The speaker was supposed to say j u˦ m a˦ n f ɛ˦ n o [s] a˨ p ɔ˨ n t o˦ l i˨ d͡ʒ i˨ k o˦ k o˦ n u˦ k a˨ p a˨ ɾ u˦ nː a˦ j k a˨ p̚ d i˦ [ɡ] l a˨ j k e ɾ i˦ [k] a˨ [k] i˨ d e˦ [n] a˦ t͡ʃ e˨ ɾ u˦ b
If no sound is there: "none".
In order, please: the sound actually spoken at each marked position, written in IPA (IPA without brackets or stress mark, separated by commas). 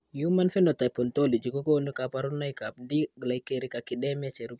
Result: t, ɡ, k, k, m